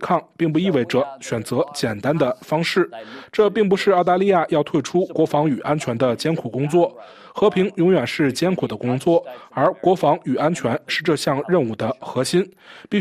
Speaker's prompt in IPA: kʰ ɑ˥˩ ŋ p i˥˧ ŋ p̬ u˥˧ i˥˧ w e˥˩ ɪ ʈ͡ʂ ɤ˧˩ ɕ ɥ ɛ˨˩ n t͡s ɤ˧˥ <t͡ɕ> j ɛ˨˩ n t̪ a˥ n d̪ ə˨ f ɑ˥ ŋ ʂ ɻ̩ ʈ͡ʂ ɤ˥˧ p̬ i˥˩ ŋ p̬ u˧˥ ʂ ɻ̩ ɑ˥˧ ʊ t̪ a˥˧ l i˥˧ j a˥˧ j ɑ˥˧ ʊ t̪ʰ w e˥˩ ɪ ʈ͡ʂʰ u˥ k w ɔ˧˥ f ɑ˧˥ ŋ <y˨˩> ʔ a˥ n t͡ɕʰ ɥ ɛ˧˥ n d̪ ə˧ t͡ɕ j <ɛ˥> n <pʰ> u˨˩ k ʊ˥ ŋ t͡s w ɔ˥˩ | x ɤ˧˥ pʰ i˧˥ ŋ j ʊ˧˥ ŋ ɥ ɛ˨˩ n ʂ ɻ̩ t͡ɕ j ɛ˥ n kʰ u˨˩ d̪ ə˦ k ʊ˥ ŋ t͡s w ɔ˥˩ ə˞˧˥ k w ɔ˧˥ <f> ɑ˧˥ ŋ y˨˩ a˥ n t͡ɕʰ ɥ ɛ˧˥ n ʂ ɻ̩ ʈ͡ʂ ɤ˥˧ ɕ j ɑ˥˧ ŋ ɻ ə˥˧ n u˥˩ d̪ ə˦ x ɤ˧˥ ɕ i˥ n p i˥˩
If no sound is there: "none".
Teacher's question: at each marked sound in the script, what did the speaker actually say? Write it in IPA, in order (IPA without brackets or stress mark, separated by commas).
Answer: t͡ɕ, y˨˩, ɛ˥, kʰ, f